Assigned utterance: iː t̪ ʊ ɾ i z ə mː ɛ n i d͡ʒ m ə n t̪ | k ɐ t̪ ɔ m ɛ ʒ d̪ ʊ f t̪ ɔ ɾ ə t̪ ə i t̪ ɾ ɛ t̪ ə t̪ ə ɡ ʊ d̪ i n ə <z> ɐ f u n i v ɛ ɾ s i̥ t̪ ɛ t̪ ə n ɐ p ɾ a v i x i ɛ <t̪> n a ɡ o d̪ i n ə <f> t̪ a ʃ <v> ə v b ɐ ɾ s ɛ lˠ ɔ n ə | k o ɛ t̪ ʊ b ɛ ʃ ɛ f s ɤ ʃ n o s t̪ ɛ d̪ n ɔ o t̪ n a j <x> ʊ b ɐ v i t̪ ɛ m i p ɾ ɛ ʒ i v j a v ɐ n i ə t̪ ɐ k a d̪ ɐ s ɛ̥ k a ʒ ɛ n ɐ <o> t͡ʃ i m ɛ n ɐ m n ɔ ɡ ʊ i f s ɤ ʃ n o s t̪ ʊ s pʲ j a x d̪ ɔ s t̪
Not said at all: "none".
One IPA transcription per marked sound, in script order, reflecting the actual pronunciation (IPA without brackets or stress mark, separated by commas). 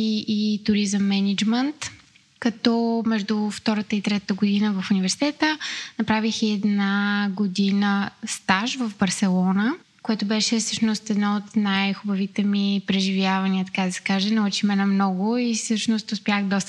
v, d̪, s, v, x, u